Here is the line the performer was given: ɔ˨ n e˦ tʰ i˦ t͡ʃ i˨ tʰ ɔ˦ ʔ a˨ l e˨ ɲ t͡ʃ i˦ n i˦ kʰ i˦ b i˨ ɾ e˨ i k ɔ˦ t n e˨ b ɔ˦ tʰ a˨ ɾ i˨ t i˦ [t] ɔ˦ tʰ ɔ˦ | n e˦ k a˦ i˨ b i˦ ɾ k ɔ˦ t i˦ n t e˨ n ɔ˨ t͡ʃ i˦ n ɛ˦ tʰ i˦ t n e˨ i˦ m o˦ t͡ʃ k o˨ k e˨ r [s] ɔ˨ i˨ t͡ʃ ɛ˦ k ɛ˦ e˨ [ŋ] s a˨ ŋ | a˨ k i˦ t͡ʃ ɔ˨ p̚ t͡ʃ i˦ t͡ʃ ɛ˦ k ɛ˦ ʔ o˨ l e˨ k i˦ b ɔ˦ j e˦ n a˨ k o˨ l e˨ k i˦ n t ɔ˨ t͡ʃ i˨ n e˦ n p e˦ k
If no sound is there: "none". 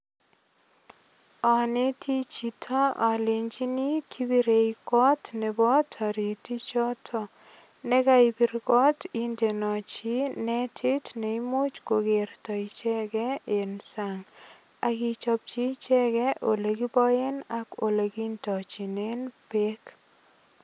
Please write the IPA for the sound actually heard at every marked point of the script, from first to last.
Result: t͡ʃ, t, n

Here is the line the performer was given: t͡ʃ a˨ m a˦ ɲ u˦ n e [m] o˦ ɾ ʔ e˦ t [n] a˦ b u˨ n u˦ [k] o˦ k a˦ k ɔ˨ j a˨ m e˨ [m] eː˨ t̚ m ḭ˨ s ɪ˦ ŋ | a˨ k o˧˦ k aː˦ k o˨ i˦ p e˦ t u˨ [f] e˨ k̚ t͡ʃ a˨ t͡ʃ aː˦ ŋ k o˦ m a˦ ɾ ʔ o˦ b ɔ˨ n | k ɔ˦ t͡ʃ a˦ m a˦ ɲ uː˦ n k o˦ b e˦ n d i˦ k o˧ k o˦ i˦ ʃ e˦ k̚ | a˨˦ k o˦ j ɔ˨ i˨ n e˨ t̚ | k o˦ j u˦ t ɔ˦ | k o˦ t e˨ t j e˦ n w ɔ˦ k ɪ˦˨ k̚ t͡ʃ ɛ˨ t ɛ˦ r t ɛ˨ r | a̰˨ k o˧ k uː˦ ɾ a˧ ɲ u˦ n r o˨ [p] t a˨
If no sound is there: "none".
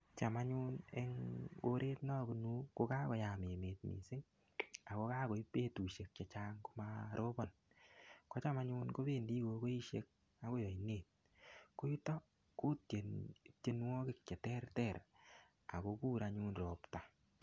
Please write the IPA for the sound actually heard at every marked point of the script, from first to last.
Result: ŋ, n, k, m, ʃ, p

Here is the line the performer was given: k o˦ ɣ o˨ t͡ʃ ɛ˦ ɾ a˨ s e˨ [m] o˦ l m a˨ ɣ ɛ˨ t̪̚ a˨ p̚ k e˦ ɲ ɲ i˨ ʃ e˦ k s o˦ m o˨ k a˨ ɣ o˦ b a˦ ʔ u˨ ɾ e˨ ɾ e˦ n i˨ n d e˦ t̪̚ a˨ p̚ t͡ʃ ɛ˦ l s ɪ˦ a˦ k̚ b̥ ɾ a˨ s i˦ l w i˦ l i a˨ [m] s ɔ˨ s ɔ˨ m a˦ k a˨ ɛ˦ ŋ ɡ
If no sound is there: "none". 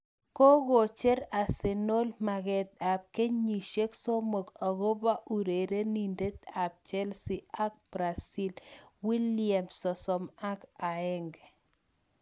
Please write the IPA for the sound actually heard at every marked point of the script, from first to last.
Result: n, m

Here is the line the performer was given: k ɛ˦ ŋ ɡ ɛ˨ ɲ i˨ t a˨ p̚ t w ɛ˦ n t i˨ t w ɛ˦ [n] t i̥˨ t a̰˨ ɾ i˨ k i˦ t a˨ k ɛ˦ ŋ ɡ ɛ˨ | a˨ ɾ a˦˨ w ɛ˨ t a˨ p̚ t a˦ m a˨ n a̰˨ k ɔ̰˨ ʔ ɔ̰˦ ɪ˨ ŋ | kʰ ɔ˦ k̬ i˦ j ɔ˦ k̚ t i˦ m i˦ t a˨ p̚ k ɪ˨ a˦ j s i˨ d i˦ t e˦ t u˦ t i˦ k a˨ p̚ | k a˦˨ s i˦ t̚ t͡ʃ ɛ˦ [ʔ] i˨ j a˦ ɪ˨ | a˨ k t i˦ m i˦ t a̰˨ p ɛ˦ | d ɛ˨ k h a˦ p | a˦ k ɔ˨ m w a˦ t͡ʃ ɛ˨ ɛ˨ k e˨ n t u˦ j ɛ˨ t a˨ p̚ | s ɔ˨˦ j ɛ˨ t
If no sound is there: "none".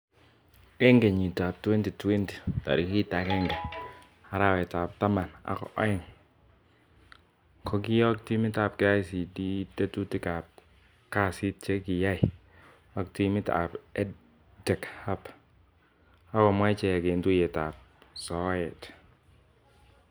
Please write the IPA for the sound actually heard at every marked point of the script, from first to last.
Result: n, k

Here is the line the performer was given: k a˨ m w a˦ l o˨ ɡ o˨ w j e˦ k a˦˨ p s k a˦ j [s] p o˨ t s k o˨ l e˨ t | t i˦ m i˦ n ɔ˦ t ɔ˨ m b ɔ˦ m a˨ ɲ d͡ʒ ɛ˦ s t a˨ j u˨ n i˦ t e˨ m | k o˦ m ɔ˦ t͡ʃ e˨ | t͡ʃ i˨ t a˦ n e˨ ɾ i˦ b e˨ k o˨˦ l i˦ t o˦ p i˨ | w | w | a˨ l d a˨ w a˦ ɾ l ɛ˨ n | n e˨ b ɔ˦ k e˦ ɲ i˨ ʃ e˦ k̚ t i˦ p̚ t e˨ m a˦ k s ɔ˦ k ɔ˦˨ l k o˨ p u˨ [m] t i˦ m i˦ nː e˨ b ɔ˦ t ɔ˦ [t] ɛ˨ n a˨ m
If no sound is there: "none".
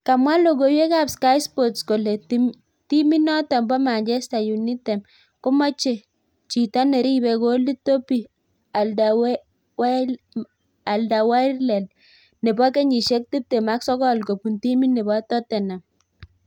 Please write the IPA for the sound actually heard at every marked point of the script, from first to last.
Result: s, n, t

